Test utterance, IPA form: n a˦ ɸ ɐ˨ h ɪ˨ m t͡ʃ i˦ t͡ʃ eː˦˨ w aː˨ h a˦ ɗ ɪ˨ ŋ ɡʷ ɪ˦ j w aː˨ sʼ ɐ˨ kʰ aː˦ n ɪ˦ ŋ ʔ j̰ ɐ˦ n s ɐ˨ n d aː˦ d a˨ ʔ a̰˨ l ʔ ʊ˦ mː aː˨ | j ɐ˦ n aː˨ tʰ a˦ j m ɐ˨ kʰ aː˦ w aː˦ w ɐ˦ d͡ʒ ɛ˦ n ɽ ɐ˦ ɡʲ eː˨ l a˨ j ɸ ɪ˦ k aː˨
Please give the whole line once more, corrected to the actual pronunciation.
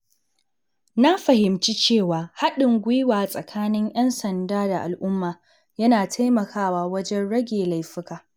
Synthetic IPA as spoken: n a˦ ɸ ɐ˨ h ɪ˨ m t͡ʃ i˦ t͡ʃ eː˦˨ w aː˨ h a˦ ɗ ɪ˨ ŋ ɡʷ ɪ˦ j w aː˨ sʼ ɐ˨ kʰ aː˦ n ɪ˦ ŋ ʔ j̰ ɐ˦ n s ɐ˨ n d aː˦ d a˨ ʔ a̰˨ l ʔ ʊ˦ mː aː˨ | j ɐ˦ n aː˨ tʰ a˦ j m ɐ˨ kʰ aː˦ w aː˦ w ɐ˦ d͡ʒ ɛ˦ n ɽ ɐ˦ ɡʲ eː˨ l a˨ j ɸ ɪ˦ k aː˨